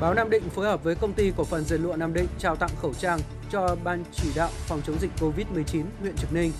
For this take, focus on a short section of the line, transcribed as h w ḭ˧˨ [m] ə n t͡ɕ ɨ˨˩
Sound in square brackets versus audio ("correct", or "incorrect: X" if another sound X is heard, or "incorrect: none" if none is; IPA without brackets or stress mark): incorrect: none